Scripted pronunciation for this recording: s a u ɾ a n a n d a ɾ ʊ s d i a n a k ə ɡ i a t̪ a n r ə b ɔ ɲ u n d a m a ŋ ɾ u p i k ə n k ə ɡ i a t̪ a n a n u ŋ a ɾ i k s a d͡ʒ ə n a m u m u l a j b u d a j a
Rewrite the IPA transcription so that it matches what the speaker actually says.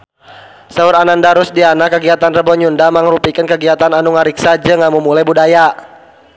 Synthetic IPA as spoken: s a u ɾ a n a n d a ɾ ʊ s d i a n a k ə ɡ i a t̪ a n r ə b ɔ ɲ u n d a m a ŋ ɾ u p i k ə n k ə ɡ i a t̪ a n a n u ŋ a ɾ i k s a d͡ʒ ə ŋ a m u m u l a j b u d a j a